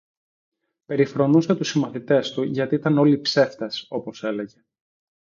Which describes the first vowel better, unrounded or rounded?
unrounded